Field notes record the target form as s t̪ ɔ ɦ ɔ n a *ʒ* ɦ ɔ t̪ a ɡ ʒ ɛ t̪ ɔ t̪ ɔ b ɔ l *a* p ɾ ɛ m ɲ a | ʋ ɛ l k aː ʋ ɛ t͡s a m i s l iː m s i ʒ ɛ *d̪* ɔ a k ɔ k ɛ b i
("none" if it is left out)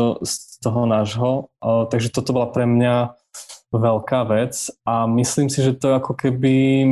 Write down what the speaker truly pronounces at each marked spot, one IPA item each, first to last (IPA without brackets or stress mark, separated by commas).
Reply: ʒ, a, t̪